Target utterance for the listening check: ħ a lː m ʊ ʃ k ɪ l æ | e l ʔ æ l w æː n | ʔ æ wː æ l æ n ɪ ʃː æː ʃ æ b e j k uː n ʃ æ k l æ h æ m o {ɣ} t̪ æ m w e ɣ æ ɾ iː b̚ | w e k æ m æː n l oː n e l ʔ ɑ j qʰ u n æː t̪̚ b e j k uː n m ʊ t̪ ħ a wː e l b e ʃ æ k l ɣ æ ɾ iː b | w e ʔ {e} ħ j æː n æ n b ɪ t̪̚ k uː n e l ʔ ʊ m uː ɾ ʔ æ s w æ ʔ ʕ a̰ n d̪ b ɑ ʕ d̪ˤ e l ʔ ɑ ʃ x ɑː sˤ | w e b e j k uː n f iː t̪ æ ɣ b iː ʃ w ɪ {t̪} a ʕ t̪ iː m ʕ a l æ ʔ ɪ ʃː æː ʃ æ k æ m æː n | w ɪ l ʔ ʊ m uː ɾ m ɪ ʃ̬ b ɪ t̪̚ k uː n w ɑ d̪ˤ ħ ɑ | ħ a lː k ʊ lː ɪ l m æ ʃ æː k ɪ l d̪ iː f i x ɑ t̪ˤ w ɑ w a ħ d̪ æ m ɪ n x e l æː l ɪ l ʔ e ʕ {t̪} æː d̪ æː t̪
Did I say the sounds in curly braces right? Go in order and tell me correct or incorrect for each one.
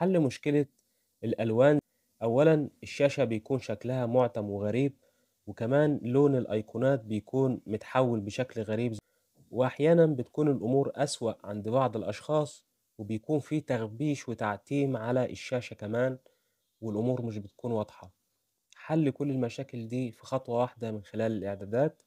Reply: incorrect: ʕ, incorrect: a, correct, incorrect: d̪

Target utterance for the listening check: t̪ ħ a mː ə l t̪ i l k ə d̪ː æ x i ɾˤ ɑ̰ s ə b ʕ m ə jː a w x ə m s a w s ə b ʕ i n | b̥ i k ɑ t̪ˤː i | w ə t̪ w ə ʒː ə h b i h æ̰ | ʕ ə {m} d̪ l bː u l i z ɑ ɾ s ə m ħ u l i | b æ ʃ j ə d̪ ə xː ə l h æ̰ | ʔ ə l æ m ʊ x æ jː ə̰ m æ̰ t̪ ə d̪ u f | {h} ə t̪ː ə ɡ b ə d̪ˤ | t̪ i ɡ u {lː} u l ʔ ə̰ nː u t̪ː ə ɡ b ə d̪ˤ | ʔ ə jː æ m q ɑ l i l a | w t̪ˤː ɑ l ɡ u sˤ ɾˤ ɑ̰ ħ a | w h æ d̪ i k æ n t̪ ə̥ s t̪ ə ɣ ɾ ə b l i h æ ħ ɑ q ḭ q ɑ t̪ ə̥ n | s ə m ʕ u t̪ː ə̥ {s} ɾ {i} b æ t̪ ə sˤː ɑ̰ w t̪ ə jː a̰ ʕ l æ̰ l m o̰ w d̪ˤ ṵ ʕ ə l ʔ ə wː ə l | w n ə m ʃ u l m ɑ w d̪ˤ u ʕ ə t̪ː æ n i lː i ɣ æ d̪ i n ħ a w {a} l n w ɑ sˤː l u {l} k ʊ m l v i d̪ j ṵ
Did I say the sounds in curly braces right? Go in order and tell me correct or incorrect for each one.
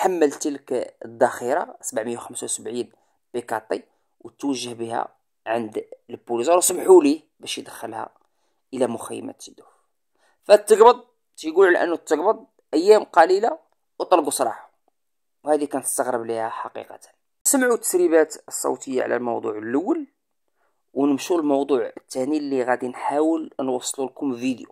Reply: incorrect: n, incorrect: f, incorrect: l, correct, correct, incorrect: ə, correct

